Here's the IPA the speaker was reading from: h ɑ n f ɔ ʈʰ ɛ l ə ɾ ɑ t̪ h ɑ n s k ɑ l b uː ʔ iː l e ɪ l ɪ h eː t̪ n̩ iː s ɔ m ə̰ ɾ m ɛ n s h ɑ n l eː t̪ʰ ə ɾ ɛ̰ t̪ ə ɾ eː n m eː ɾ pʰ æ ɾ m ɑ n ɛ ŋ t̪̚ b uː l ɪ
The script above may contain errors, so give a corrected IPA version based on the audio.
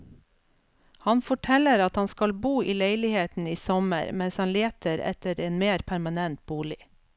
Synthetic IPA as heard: h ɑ n f ɔ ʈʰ ɛ l ə ɾ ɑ t̪ h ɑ n s k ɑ l b uː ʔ iː l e ɪ l ɪ h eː t̪ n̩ iː s ɔ m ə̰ ɾ m ɛ n s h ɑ n l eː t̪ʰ ə ɾ ɛ̰ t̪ ə ɾ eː n m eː ɾ pʰ æ ɾ m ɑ n ɛ n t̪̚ b uː l ɪ